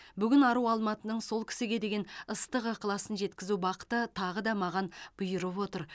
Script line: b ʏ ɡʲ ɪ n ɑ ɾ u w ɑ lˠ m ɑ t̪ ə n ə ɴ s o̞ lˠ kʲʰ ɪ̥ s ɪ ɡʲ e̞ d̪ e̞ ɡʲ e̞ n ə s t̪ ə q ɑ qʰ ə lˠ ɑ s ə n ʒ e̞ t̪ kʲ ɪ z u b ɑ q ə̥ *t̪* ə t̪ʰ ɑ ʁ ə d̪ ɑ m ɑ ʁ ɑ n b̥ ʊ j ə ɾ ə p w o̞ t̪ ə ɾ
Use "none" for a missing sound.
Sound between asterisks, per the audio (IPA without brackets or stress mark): t̪